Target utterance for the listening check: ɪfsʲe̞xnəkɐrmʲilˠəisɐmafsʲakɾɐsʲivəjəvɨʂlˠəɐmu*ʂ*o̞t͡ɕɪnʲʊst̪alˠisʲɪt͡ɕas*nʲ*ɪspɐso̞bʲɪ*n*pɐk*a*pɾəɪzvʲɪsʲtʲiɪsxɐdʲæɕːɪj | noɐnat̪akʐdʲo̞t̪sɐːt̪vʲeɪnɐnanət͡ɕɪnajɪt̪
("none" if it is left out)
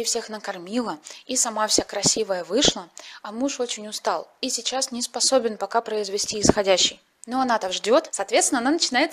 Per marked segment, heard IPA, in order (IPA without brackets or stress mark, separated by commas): ʂ, nʲ, n, a